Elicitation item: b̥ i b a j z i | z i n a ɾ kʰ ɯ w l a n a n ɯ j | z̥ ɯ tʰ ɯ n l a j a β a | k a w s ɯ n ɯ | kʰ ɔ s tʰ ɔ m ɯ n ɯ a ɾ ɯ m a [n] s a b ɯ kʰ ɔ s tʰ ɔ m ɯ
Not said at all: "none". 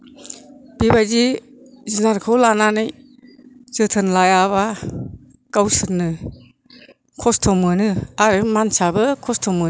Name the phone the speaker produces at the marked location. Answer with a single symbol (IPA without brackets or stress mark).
n